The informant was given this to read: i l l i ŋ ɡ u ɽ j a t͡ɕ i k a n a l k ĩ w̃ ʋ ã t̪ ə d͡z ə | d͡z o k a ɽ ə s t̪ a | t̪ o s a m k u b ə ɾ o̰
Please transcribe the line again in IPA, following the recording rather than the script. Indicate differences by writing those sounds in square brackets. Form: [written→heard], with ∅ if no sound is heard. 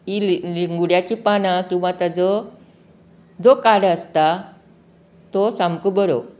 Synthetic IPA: i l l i ŋ ɡ u ɽ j a t͡ɕ i [k→p] a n a [l→∅] k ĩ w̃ ʋ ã t̪ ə d͡z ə | d͡z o k a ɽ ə s t̪ a | t̪ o s a m k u b ə ɾ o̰